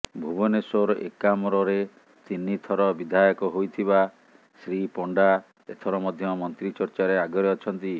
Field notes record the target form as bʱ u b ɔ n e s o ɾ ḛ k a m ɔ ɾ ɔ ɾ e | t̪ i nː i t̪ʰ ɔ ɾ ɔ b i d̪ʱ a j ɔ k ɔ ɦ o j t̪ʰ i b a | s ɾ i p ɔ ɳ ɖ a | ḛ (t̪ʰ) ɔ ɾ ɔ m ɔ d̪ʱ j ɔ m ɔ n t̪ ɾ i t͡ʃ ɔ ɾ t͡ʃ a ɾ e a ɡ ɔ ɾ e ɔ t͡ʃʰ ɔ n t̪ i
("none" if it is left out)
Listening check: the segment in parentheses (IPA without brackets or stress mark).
t̪ʰ